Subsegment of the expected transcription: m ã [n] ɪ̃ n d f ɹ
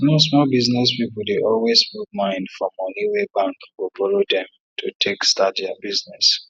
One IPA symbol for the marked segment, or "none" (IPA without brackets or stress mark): none